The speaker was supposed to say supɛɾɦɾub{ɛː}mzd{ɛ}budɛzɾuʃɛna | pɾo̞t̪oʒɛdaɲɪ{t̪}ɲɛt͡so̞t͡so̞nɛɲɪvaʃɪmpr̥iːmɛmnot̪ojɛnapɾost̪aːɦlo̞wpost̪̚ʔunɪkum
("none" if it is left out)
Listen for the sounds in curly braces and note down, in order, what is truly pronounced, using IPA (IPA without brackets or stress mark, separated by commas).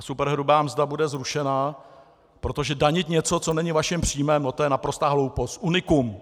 aː, a, t̪